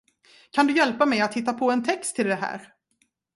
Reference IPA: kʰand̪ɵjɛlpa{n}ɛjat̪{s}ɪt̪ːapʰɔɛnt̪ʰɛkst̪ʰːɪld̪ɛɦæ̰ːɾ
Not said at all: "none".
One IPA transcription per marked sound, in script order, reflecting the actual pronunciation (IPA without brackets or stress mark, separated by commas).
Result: m, h